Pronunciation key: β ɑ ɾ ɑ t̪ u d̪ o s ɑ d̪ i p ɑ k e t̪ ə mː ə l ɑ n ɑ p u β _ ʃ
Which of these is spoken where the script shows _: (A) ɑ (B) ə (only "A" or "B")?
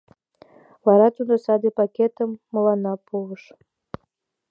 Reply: B